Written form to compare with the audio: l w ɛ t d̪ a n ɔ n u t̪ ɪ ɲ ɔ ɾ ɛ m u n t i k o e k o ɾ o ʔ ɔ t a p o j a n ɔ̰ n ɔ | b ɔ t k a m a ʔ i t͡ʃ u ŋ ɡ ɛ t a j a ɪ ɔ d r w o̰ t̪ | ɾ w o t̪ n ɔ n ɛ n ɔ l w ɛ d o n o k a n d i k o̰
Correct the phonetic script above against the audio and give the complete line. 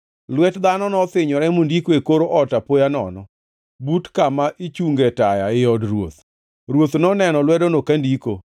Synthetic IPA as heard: l w ɛ t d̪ a n ɔ n ɔ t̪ ɪ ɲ ɔ ɾ ɛ m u n d i k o e k o ɾ o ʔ ɔ t a p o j a n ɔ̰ n ɔ | b u t k a m a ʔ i t͡ʃ u ŋ ɡ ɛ t a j a ɪ ɔ d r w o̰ t̪ | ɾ w o t̪ n ɔ n ɛ n ɔ l w ɛ d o n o k a n d i k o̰